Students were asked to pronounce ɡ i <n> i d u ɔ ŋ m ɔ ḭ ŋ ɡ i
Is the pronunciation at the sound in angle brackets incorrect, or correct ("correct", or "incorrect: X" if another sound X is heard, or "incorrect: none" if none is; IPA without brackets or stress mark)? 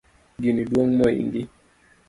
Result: correct